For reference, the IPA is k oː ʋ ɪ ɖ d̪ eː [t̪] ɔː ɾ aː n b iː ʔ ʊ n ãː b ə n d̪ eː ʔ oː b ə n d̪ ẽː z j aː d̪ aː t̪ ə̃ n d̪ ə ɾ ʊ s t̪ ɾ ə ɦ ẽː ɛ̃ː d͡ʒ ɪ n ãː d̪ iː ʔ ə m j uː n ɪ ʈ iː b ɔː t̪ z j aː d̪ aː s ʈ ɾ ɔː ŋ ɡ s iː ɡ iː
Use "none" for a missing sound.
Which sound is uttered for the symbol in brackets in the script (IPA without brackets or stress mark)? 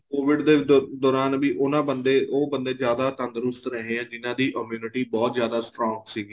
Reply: d̪